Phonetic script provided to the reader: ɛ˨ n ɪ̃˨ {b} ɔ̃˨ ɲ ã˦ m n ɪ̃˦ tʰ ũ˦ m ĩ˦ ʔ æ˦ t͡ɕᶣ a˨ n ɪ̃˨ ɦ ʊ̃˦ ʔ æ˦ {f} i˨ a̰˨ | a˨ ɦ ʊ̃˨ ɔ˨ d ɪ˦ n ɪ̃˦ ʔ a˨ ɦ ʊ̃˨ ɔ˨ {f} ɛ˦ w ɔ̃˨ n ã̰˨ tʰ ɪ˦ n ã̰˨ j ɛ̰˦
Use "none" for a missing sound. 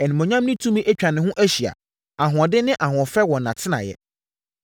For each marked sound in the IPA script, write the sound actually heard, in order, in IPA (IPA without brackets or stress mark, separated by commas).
m, ɕ, f